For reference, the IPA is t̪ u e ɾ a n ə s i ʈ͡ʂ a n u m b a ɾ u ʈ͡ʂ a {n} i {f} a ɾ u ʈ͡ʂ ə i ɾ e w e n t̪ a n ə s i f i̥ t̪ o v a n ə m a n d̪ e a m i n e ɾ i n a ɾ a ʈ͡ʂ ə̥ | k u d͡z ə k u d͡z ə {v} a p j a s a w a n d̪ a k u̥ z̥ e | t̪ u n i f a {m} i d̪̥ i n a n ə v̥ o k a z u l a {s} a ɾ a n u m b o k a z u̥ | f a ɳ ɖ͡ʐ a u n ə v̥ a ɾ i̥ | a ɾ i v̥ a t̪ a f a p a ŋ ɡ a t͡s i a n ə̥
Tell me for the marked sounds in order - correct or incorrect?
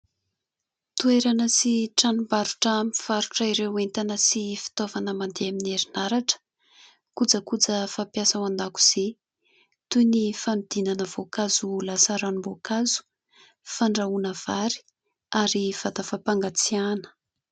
incorrect, correct, incorrect, correct, correct

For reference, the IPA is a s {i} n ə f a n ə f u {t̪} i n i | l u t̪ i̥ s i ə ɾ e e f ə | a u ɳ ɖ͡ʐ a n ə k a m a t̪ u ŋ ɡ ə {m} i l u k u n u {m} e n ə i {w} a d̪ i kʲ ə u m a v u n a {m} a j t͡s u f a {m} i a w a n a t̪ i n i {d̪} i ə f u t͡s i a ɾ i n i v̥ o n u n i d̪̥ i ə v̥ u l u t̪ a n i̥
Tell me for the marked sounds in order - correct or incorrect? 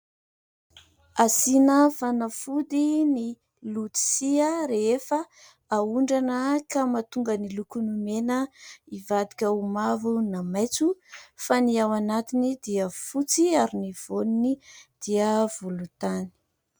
correct, incorrect, incorrect, correct, incorrect, correct, incorrect, correct

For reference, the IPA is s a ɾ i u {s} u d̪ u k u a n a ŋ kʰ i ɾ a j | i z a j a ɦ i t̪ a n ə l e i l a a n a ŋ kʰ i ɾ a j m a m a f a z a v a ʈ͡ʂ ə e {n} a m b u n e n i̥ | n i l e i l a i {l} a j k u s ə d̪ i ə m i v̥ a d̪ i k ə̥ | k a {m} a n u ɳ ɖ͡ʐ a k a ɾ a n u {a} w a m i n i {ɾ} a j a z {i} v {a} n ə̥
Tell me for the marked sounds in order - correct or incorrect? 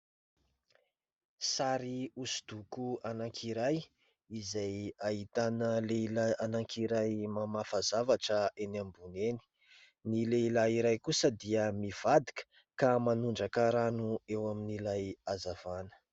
correct, correct, incorrect, correct, incorrect, incorrect, incorrect, correct

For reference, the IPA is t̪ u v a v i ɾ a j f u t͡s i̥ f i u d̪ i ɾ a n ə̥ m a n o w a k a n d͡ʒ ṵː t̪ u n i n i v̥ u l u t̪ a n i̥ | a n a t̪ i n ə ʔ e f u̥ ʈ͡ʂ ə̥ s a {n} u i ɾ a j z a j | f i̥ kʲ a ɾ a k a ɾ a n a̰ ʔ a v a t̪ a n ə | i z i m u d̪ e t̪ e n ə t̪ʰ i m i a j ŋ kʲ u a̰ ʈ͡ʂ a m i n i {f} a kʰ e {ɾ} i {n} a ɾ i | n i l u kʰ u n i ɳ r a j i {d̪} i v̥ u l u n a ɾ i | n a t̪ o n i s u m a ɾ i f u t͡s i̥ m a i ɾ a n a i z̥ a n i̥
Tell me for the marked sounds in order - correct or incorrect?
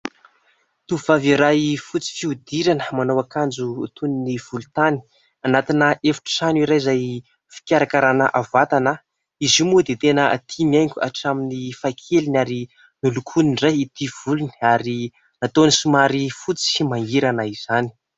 correct, correct, incorrect, correct, incorrect

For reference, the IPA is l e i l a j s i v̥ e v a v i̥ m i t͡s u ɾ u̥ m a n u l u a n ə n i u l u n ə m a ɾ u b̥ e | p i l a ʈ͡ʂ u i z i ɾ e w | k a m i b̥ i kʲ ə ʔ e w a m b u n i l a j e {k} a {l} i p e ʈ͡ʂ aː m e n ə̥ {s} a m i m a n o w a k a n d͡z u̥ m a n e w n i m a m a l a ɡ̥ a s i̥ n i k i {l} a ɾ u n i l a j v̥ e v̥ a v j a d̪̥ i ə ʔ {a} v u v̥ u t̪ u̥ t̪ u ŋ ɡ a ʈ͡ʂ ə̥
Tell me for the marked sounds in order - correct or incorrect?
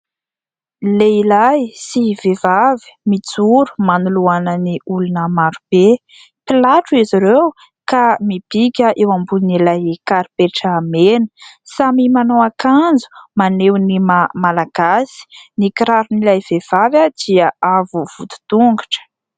correct, incorrect, correct, incorrect, correct

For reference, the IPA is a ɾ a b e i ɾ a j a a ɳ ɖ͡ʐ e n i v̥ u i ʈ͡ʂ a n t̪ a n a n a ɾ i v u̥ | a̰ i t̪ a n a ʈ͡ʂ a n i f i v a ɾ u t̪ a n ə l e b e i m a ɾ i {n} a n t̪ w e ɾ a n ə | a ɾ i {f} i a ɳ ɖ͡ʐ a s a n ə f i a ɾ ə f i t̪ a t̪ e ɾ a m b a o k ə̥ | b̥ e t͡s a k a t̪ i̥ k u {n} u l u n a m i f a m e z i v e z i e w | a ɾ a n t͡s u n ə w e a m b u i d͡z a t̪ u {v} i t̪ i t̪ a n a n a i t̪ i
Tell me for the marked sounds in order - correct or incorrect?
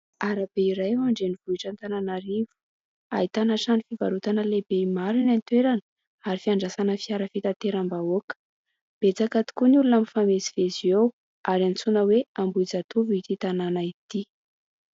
correct, correct, correct, correct

